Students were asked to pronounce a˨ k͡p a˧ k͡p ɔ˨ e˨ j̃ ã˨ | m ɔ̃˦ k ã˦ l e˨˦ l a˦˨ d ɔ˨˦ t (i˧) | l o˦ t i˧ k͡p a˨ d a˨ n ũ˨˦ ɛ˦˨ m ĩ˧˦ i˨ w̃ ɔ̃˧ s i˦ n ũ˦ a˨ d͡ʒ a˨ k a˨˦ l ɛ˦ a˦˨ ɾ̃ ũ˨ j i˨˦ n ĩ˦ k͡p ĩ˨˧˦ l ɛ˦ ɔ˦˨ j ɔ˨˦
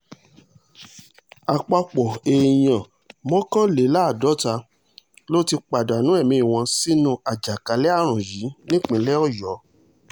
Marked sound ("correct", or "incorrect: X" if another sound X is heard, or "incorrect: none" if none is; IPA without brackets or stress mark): incorrect: a˧